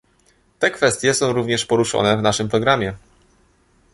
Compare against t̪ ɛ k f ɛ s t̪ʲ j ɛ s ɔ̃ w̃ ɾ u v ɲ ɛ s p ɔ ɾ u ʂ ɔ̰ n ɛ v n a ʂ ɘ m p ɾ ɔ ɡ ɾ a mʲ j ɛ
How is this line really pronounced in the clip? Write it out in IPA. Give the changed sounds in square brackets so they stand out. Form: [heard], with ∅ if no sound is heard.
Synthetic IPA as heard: t̪ ɛ k f ɛ s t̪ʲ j ɛ s ɔ̃ w̃ ɾ u v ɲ ɛ [ʂ] p ɔ ɾ u ʂ ɔ̰ n ɛ v n a ʂ ɘ m p ɾ ɔ ɡ ɾ a mʲ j ɛ